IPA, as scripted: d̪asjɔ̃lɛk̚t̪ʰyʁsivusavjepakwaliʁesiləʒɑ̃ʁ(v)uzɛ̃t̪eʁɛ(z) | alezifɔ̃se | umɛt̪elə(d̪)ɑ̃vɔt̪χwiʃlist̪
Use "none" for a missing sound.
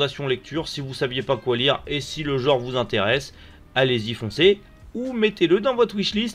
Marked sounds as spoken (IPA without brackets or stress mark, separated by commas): v, s, d̪